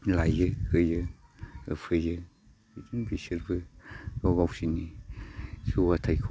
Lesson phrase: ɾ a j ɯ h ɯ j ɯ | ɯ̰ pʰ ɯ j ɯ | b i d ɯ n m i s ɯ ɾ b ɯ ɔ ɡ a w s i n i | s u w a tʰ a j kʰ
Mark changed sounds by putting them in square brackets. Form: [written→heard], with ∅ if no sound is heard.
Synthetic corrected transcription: [ɾ→l] a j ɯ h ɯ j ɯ | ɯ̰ pʰ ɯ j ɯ | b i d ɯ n [m→b] i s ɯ ɾ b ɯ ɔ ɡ a w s i n i | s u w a tʰ a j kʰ